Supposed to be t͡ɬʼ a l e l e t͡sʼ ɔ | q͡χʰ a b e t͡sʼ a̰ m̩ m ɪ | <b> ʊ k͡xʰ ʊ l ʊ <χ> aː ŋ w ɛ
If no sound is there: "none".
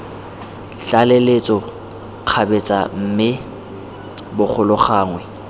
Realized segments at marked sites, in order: b, χ

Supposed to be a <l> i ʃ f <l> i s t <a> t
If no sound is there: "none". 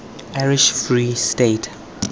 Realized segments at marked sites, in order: ɹ, ɹ, e

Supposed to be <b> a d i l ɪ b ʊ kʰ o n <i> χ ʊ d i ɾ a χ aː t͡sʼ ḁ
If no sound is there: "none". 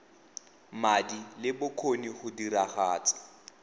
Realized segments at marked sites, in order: m, i

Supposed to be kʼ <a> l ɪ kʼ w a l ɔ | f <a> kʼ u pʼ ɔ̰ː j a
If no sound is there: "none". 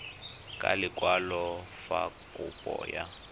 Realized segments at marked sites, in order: a, a

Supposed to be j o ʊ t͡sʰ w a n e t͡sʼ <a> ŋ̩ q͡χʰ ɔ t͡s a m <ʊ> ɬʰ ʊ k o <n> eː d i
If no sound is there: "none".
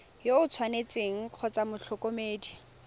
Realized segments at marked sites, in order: e, ʊ, m

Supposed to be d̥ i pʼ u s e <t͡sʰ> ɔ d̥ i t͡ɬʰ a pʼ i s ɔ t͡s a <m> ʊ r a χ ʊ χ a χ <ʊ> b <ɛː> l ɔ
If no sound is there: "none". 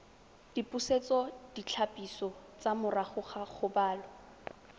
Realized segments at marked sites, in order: t͡s, m, ʊ, aː

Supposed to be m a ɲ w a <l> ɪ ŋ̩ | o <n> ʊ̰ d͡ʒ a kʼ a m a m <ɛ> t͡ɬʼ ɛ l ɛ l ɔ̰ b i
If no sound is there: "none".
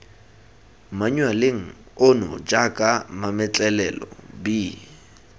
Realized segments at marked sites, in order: l, n, ɛ

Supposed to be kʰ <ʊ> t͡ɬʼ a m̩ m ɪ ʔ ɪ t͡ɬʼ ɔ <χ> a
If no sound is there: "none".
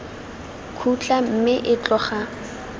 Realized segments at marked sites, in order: u, χ

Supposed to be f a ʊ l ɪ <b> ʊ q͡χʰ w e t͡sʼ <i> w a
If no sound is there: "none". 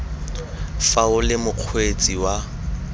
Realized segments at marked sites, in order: m, i

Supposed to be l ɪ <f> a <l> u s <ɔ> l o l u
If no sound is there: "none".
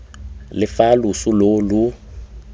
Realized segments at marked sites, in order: f, l, u

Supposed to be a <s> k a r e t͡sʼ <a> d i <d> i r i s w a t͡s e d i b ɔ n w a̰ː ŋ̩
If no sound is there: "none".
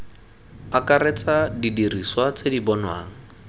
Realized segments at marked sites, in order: none, a, d

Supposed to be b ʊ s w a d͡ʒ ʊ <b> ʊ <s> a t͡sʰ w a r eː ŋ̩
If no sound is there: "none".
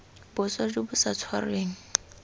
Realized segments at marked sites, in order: b, s

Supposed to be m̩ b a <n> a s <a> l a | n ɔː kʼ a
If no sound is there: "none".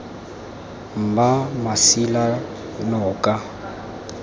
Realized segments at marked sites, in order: m, i

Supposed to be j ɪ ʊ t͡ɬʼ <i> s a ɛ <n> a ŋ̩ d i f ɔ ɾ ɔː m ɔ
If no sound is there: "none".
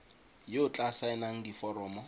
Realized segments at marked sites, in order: a, n

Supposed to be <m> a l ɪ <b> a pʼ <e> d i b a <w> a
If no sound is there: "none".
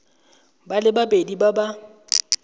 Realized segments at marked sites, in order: b, b, e, b

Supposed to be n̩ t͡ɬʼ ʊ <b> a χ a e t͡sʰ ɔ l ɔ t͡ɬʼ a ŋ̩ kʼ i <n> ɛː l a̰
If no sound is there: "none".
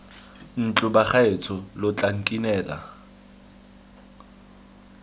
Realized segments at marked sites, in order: b, n

